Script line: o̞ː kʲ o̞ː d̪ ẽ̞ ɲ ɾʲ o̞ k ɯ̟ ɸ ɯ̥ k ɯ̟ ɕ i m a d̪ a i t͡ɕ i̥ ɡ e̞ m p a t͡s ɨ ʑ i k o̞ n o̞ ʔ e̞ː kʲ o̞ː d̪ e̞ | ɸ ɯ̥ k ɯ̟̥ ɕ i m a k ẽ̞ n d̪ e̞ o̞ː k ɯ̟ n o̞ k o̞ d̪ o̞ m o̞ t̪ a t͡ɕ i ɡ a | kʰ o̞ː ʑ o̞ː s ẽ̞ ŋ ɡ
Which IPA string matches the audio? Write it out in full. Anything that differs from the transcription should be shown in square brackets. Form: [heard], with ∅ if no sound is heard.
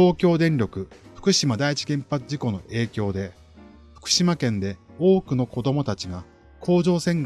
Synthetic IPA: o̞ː kʲ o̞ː d̪ ẽ̞ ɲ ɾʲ o̞ k ɯ̟ ɸ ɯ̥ k ɯ̟ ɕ i m a d̪ a i t͡ɕ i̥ ɡ [ẽ̞] m p a t͡s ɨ ʑ i k o̞ n o̞ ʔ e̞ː kʲ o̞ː d̪ e̞ | ɸ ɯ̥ k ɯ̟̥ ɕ i m a k ẽ̞ n d̪ e̞ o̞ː k ɯ̟ n o̞ k o̞ d̪ o̞ m o̞ t̪ a t͡ɕ i ɡ a | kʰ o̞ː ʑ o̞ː s ẽ̞ ŋ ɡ